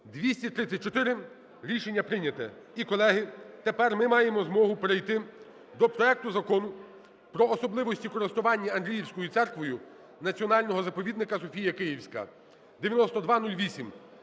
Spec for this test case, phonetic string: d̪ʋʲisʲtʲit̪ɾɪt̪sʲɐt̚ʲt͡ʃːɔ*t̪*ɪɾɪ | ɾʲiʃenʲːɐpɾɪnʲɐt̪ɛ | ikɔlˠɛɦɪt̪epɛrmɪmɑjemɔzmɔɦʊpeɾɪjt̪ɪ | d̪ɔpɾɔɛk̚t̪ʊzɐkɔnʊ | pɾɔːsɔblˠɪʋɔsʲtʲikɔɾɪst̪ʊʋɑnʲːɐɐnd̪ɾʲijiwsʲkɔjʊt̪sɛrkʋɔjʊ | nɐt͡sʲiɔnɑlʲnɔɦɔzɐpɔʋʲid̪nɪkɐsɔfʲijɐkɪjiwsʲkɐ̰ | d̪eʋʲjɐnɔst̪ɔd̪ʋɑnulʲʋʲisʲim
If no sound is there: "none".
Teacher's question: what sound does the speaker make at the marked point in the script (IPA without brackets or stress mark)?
t̪